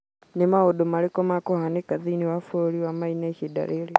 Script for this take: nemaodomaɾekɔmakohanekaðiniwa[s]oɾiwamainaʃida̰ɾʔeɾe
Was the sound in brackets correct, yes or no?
no